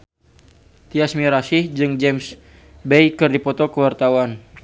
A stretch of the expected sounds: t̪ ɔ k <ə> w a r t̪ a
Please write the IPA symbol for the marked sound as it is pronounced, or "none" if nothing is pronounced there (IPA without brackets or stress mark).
ə